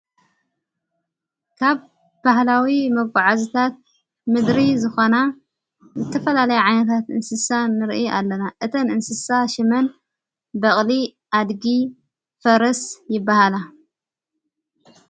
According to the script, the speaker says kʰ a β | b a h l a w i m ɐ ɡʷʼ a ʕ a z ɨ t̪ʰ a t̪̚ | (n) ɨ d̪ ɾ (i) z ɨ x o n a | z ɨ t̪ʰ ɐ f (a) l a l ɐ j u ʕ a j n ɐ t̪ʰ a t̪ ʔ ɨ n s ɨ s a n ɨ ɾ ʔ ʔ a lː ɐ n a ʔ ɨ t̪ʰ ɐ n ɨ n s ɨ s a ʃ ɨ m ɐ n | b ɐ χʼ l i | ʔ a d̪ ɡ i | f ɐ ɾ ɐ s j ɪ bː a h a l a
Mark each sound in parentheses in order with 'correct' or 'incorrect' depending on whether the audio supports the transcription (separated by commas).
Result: incorrect, correct, incorrect